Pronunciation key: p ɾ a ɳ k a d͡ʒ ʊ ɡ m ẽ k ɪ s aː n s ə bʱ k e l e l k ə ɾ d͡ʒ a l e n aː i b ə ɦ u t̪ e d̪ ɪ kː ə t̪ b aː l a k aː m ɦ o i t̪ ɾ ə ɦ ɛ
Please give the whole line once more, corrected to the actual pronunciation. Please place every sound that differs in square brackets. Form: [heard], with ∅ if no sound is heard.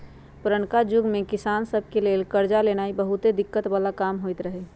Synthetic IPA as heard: p ɾ [ə] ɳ k a d͡ʒ ʊ ɡ m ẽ k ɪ s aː n s ə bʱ k e l e l k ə ɾ d͡ʒ a l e n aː i b ə ɦ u t̪ e d̪ ɪ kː ə t̪ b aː l a k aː m ɦ o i t̪ ɾ ə ɦ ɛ